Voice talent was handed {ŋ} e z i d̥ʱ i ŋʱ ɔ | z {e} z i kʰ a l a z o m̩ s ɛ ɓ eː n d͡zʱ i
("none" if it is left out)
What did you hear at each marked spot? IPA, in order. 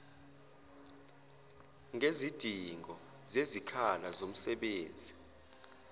ŋ, e

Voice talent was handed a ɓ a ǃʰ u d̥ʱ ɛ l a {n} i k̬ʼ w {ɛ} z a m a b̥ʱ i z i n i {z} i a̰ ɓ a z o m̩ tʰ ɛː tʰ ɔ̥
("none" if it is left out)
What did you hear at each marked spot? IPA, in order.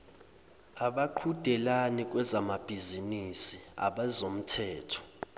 n, ɛ, s

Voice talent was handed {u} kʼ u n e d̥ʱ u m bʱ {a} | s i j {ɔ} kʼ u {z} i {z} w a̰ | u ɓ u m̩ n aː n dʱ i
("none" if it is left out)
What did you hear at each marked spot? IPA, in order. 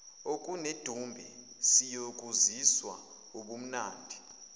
o, ɛ, o, z, s

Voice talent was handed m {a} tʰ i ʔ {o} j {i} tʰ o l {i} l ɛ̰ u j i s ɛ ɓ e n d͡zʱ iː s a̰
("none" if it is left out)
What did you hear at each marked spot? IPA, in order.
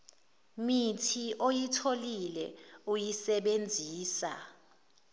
i, o, i, i

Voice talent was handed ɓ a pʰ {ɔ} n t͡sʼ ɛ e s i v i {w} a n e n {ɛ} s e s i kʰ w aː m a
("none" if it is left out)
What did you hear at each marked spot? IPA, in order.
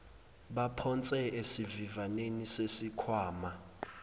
ɔ, v, i

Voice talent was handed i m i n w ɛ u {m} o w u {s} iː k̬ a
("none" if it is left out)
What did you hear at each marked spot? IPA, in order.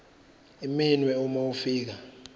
m, f

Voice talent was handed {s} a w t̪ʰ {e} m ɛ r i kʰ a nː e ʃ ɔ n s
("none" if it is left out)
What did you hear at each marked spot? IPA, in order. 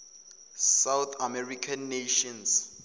s, a

